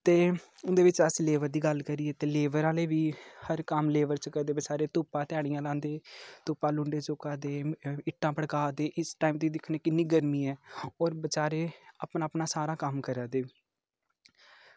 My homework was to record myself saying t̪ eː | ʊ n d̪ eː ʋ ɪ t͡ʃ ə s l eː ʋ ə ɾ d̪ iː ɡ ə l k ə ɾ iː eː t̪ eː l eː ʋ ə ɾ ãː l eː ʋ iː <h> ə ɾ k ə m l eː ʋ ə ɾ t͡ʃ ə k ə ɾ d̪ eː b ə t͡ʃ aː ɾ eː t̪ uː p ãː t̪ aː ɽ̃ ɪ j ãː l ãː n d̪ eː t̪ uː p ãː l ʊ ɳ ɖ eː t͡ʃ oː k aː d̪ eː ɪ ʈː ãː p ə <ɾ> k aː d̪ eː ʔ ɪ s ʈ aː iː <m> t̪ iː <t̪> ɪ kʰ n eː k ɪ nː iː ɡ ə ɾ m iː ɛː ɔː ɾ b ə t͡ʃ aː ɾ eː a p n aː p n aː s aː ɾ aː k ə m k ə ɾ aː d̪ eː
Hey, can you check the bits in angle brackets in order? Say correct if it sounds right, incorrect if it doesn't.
correct, incorrect, correct, incorrect

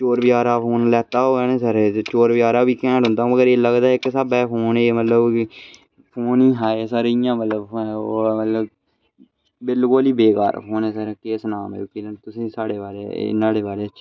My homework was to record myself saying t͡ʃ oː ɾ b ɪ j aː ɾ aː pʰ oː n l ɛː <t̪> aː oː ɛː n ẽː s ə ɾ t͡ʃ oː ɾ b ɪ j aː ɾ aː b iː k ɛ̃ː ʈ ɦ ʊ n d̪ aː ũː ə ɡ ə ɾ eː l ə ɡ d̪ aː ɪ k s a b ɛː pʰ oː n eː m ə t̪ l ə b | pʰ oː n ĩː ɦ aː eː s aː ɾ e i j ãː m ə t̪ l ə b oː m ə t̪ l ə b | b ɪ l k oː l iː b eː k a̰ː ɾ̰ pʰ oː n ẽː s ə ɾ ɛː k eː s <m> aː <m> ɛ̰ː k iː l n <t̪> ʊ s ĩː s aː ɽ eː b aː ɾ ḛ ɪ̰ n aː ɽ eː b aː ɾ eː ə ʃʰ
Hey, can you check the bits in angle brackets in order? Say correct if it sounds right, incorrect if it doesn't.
correct, incorrect, correct, correct

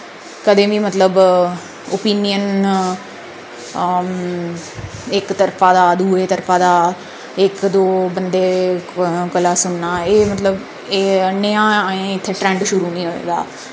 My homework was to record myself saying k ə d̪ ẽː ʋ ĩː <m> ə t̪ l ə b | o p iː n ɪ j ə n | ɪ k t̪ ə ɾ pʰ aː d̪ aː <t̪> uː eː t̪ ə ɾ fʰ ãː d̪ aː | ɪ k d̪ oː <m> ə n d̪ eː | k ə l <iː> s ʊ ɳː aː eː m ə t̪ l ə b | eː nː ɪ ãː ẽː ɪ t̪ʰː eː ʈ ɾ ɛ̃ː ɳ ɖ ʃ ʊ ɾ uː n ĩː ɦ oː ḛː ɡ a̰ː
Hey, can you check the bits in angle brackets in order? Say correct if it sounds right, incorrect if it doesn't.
correct, incorrect, incorrect, incorrect

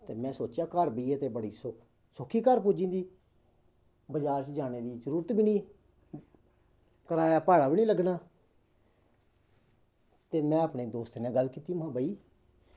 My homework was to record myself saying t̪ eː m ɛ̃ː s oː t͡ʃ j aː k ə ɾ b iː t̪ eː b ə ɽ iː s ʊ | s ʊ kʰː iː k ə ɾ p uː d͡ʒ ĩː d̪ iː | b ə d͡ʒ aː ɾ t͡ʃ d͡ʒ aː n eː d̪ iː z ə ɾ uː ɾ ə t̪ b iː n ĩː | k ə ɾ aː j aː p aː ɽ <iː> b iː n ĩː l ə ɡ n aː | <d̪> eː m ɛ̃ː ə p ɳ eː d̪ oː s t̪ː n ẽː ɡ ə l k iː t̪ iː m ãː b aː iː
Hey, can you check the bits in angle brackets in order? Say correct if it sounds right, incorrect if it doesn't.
incorrect, incorrect

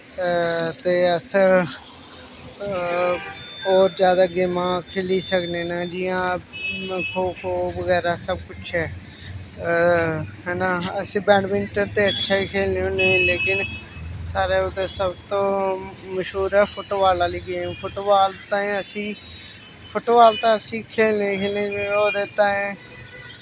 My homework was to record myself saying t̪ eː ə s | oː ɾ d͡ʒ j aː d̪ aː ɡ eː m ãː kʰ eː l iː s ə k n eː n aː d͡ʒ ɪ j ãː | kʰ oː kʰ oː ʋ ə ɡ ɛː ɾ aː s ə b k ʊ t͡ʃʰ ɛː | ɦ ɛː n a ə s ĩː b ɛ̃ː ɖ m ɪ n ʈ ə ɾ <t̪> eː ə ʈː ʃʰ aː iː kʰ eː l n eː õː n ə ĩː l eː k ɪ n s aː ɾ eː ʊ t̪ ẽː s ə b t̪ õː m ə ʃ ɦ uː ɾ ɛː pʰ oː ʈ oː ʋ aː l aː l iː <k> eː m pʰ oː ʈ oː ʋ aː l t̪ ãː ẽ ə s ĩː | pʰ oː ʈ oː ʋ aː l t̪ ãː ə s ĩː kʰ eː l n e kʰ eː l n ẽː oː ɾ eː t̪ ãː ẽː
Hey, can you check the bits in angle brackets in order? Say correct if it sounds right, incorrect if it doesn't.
correct, incorrect

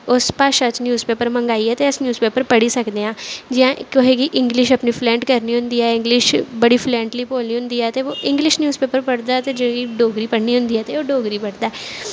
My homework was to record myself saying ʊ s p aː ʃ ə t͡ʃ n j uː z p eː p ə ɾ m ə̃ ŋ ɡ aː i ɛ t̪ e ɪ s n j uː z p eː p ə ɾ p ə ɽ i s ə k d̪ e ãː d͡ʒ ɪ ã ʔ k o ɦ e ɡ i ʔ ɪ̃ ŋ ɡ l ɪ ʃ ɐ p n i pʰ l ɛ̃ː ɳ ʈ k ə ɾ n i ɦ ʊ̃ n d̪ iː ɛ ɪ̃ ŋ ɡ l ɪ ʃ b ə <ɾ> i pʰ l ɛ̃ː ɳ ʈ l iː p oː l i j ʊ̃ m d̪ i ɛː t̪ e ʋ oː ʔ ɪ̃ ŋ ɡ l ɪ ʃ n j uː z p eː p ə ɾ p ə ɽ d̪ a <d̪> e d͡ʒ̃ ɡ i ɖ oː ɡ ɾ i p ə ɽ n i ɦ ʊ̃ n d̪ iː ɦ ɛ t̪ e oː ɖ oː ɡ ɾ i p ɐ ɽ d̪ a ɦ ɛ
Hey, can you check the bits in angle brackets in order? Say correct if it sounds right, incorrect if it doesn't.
incorrect, incorrect

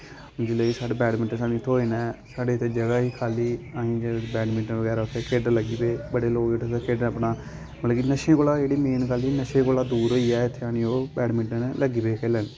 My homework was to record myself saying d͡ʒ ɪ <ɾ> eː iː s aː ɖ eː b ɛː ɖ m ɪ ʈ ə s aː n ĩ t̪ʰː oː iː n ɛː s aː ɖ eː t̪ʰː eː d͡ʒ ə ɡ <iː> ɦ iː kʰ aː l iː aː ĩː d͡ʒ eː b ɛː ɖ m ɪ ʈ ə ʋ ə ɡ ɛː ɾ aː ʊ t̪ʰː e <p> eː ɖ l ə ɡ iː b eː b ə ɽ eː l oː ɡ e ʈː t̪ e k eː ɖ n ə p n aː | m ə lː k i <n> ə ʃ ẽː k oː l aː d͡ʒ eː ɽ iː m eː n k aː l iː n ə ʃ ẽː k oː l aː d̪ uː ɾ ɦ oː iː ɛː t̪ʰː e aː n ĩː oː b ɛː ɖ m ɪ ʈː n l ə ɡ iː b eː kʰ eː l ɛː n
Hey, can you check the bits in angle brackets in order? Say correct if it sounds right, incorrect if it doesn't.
incorrect, incorrect, incorrect, correct

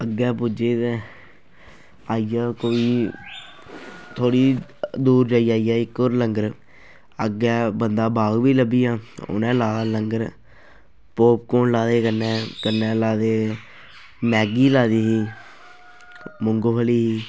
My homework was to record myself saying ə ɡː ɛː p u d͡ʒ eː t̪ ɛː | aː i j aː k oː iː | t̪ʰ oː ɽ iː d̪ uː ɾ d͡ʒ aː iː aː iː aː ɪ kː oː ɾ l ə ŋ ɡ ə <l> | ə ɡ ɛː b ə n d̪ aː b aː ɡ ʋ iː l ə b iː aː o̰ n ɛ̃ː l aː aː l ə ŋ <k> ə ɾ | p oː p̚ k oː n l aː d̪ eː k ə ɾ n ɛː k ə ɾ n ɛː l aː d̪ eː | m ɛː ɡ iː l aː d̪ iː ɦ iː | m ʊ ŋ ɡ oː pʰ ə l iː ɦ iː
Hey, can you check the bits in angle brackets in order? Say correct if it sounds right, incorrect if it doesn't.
incorrect, incorrect

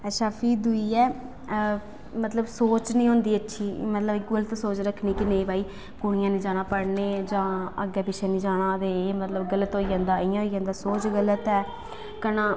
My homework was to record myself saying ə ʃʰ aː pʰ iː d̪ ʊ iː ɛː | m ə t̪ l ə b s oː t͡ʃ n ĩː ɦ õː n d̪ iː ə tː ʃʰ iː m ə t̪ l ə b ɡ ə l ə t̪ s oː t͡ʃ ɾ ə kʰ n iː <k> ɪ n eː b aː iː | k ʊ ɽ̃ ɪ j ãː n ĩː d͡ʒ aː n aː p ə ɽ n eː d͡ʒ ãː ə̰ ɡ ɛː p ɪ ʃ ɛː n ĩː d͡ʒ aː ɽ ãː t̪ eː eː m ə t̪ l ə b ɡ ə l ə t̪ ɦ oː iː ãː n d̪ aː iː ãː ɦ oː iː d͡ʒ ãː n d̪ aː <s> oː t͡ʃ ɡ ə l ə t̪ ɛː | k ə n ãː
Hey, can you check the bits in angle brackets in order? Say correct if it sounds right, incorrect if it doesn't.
correct, correct

